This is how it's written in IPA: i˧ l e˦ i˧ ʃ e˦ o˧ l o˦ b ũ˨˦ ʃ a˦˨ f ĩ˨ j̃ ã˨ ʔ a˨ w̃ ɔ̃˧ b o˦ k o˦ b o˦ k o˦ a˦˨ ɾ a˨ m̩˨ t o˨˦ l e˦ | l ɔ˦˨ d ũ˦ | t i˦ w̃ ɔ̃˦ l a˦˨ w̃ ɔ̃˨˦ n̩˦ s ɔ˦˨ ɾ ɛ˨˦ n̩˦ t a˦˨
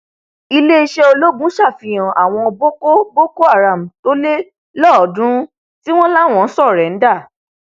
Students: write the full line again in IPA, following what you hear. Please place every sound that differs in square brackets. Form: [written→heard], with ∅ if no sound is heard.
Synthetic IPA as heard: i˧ l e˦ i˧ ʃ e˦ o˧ l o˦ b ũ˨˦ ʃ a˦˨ f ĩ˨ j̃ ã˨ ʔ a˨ w̃ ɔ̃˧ b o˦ k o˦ b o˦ k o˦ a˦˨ ɾ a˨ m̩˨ t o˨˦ l e˦ | l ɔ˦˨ d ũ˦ | t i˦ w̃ ɔ̃˦ l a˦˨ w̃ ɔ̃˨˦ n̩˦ s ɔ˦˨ ɾ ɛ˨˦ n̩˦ [t→d] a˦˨